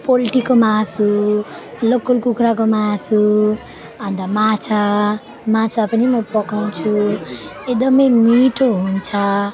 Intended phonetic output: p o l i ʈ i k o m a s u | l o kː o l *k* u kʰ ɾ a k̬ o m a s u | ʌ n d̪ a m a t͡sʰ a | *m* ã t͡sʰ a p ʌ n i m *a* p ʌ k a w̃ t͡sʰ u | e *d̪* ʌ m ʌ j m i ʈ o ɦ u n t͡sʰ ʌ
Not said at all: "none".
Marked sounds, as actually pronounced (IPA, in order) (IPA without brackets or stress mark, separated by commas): k, m, ʌ, d̪